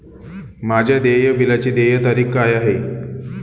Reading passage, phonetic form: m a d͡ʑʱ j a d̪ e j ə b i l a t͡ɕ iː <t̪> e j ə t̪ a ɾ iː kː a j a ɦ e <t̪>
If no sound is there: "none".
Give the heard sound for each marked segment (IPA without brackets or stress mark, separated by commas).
d̪, none